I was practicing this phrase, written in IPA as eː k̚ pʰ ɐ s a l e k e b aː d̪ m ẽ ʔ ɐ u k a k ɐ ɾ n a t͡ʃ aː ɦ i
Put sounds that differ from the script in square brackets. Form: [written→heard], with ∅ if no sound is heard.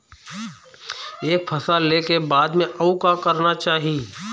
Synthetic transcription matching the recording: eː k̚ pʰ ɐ s a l e k e b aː d̪ m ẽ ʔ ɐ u k a k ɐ ɾ n a t͡ʃ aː ɦ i